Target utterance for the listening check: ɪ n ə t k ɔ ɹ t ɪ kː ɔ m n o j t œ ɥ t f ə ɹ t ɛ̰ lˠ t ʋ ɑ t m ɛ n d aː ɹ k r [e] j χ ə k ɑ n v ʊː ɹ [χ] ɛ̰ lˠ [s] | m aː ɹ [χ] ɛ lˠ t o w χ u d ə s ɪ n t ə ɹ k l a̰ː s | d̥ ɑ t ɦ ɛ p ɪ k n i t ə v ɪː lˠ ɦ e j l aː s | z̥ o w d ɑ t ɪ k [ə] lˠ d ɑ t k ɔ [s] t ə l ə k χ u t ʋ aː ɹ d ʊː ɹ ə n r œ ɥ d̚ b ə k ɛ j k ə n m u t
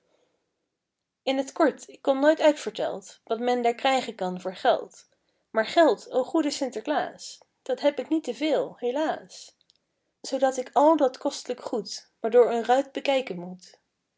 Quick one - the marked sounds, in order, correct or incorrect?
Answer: incorrect: ɛ, correct, incorrect: t, correct, incorrect: ɑ, correct

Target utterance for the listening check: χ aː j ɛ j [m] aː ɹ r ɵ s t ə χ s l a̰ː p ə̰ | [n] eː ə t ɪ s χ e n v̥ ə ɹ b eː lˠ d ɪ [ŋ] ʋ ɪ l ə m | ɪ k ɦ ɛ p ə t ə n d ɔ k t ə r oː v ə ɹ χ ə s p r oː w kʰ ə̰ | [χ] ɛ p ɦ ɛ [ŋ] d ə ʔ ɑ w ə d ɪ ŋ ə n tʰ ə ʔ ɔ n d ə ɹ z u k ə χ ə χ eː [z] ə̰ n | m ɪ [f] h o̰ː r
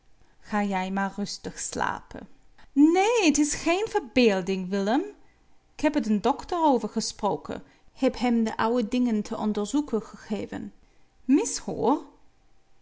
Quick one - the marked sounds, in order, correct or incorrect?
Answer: correct, correct, correct, incorrect: h, incorrect: m, incorrect: v, incorrect: s

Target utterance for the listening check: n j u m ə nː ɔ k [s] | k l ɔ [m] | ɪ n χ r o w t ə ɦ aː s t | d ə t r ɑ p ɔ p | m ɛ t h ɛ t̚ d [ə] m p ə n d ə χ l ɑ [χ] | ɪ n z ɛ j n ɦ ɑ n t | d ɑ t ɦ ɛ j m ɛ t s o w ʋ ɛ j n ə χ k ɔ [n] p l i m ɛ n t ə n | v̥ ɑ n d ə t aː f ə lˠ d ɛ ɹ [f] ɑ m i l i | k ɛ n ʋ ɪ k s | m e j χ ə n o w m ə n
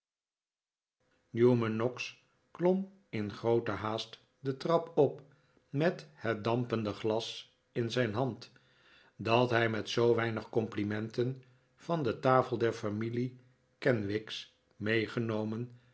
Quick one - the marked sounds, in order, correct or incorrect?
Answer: correct, correct, incorrect: ɑ, incorrect: s, incorrect: m, correct

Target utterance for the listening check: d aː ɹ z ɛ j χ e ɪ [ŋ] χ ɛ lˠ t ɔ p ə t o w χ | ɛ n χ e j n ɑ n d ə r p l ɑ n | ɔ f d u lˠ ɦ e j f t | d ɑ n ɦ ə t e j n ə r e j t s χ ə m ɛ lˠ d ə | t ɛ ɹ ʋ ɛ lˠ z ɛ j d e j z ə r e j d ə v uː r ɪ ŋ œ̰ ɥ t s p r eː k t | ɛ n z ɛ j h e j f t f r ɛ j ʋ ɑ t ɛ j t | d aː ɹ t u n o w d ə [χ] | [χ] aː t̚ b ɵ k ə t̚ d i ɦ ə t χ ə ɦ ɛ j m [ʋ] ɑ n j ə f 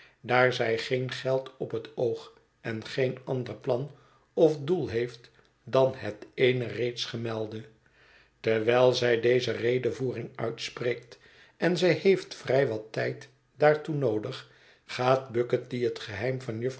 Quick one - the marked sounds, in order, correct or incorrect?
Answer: incorrect: n, correct, correct, incorrect: v

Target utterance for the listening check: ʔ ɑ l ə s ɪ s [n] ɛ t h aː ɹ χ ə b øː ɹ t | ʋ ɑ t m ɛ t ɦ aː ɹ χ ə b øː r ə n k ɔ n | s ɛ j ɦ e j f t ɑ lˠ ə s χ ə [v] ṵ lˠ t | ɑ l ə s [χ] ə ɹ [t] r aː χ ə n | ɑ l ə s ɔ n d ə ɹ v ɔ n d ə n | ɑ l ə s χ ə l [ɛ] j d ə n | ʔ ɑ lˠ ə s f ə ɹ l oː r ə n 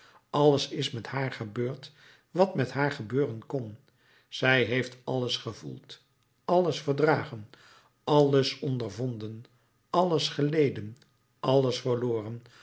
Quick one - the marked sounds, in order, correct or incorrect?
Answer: incorrect: m, correct, incorrect: f, incorrect: d, incorrect: e

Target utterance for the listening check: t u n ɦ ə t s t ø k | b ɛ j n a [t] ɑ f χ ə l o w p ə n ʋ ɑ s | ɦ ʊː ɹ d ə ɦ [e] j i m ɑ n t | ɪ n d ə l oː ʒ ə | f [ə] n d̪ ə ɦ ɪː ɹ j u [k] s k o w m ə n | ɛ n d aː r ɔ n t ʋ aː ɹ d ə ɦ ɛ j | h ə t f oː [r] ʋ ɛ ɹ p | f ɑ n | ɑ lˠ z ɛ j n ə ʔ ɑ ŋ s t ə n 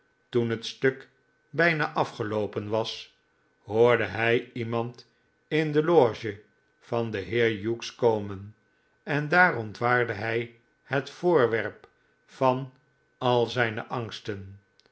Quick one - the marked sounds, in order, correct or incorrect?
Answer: incorrect: ʔ, incorrect: ɛ, incorrect: ɑ, correct, incorrect: ɹ

